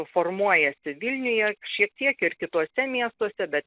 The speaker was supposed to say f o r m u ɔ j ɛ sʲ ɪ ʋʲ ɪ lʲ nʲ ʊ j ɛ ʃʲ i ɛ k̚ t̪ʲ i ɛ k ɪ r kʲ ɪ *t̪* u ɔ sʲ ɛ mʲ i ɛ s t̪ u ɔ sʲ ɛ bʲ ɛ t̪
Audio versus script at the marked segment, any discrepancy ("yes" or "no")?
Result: no